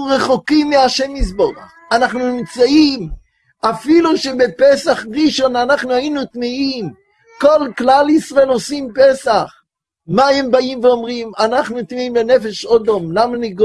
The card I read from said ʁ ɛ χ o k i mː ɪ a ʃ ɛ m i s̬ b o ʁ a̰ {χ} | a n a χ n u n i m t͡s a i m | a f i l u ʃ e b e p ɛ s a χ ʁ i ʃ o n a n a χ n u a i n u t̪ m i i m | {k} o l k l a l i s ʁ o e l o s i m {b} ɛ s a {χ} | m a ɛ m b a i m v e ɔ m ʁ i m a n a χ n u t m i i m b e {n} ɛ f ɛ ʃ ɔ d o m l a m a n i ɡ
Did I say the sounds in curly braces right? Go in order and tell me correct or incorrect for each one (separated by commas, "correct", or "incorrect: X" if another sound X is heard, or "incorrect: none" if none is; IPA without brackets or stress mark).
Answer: correct, correct, incorrect: p, correct, correct